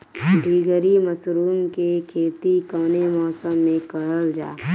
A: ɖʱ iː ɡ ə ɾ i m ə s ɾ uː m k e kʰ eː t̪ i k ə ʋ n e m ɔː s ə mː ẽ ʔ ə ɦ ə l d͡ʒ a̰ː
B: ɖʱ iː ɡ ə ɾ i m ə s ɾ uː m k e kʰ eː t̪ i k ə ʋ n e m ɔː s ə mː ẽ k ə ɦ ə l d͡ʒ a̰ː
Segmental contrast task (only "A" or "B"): B